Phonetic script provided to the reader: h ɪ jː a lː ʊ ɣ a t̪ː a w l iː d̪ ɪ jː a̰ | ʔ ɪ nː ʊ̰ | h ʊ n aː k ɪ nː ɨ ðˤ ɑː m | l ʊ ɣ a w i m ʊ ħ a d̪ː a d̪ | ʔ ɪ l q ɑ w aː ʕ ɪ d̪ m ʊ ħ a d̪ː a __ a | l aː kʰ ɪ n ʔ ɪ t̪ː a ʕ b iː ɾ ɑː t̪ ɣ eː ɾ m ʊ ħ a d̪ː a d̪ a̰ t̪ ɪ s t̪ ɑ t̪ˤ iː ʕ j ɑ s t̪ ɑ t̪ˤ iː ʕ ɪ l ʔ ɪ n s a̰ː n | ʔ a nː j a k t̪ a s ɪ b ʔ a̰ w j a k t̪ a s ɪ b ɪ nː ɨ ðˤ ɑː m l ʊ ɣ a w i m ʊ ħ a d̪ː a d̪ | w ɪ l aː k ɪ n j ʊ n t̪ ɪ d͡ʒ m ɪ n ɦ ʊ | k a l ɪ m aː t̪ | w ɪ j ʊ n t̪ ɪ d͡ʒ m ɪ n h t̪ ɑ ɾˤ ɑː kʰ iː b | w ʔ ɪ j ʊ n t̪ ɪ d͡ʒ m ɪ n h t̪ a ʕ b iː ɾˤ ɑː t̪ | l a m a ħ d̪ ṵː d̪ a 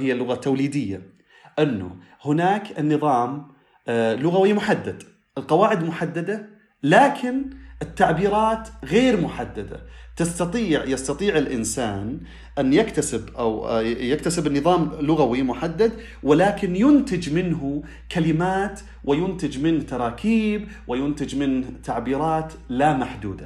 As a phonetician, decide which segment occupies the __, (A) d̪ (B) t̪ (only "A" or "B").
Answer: A